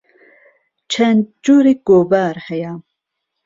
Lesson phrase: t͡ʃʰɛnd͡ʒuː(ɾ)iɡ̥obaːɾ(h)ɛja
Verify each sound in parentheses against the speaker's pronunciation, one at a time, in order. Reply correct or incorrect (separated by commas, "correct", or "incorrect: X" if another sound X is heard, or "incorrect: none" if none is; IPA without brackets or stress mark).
correct, correct